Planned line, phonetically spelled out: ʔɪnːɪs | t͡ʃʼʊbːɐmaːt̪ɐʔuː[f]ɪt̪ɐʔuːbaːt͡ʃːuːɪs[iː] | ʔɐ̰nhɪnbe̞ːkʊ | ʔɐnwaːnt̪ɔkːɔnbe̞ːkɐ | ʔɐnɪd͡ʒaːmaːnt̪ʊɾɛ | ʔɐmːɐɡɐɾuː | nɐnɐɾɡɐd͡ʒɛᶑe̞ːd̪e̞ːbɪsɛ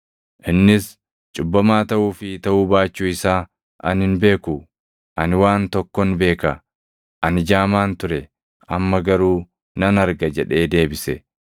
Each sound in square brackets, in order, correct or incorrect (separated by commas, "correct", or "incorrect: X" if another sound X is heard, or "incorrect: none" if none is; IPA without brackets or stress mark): correct, incorrect: aː